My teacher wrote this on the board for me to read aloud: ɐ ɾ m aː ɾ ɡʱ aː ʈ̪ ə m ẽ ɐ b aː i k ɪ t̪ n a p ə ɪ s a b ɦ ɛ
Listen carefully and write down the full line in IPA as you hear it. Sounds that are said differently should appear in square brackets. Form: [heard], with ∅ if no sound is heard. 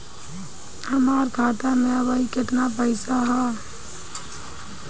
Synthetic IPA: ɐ [∅] m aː ɾ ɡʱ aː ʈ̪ [a] m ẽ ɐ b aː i k ɪ t̪ n a p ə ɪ s a [∅] ɦ ɛ